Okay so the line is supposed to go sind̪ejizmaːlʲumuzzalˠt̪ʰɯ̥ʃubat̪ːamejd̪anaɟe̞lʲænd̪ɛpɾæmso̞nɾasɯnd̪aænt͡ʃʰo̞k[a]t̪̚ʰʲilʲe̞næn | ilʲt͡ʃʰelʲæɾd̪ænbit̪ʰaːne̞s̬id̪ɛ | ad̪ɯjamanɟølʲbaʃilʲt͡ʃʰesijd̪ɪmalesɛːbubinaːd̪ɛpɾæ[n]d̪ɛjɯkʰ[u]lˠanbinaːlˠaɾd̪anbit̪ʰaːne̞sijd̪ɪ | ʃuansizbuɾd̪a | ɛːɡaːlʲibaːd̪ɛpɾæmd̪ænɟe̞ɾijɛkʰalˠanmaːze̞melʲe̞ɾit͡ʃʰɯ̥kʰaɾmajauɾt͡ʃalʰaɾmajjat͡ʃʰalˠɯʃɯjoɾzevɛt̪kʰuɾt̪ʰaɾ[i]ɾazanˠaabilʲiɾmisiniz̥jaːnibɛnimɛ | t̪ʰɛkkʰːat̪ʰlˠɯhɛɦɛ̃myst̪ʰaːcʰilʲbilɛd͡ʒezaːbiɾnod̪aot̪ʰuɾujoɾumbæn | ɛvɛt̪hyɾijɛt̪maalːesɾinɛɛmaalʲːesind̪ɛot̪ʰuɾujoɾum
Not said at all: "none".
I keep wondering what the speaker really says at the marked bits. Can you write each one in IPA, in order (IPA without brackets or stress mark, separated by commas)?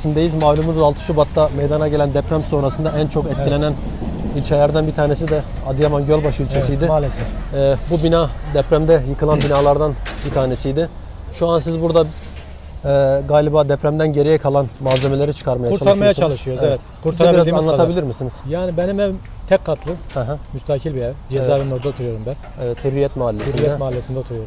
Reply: ɛ, m, ɯ, i